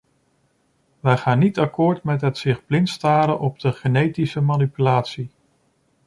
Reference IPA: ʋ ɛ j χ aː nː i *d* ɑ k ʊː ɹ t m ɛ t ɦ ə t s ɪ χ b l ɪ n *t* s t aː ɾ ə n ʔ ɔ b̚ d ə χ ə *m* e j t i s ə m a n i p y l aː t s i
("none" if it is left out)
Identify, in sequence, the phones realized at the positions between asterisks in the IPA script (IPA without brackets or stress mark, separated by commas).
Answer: t, t, n